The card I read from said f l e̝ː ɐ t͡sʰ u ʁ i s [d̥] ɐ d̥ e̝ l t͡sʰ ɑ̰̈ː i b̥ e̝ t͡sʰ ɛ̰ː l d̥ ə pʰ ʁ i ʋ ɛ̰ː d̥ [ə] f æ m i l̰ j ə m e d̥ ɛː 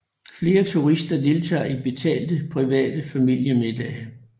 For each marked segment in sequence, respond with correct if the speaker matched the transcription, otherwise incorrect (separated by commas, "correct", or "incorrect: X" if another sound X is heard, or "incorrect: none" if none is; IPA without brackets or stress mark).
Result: correct, correct